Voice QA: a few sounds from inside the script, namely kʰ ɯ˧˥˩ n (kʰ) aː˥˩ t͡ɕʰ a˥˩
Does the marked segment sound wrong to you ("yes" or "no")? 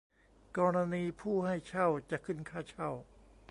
no